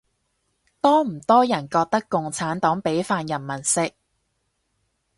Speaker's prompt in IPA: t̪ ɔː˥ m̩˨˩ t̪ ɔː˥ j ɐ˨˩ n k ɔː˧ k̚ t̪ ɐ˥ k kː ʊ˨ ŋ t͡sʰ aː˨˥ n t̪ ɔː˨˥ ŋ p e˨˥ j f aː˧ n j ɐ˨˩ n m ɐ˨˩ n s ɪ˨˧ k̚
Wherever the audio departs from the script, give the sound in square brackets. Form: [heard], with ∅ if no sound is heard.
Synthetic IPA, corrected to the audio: t̪ ɔː˥ m̩˨˩ t̪ ɔː˥ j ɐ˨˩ n k ɔː˧ k̚ t̪ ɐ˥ k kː ʊ˨ ŋ t͡sʰ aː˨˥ n t̪ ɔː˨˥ ŋ p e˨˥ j f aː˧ n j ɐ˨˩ n m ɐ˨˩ n s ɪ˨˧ k̚